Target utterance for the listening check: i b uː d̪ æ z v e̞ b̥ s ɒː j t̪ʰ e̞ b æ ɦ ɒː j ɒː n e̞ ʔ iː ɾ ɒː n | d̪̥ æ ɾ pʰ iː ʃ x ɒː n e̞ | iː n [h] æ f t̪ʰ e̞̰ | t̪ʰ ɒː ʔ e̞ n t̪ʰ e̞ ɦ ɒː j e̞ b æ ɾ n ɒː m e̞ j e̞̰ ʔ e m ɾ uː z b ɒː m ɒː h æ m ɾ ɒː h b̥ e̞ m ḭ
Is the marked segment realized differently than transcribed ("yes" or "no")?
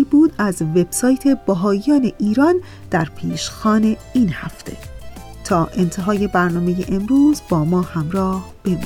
no